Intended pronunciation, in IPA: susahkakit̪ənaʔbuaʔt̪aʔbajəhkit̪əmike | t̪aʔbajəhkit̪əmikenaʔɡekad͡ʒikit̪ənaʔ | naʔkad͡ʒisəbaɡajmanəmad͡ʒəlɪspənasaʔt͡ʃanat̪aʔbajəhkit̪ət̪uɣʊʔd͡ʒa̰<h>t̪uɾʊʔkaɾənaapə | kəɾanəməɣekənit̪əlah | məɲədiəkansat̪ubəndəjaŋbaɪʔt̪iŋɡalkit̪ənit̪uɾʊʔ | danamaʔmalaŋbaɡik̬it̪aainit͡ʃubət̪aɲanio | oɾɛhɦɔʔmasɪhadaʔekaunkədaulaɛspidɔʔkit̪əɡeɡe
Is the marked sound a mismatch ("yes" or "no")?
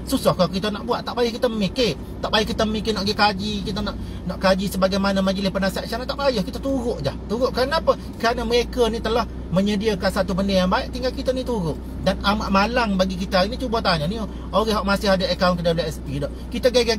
no